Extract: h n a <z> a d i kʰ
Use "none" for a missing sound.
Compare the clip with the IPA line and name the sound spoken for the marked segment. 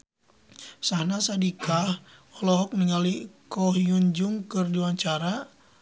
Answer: s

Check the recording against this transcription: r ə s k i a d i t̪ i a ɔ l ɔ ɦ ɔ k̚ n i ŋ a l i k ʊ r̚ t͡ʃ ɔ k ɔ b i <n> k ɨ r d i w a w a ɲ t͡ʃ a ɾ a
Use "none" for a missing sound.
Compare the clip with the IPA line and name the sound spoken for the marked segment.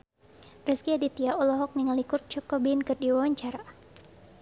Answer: n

